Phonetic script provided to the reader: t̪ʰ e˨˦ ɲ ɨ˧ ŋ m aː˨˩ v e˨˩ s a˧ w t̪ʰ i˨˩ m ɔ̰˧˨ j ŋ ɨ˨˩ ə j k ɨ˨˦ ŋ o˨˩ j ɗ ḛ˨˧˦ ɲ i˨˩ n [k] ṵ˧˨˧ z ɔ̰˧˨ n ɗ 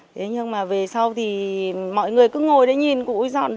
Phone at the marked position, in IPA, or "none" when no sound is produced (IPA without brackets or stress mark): k